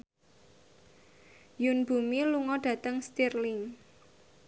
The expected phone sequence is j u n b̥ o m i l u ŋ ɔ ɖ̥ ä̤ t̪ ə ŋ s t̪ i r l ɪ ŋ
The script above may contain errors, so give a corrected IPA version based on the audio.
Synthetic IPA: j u n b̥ u m i l u ŋ ɔ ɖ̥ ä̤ t̪ ə ŋ s t̪ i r l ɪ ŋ